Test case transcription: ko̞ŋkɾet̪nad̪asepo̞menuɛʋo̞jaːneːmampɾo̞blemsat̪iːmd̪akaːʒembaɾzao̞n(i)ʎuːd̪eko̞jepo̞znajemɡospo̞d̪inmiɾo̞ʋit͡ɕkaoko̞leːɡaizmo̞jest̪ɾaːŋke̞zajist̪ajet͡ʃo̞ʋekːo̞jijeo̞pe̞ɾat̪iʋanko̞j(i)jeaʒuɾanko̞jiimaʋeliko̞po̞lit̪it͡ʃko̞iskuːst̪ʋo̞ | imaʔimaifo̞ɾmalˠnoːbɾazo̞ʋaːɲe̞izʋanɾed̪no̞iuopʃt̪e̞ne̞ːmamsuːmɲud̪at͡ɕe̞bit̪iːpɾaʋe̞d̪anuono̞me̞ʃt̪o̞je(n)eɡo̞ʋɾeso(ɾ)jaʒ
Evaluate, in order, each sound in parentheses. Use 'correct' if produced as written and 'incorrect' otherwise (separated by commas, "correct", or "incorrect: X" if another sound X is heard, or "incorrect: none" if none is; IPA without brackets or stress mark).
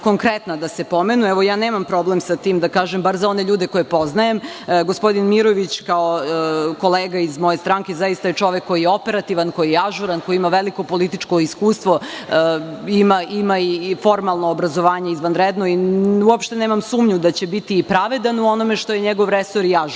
incorrect: e, correct, incorrect: ɲ, correct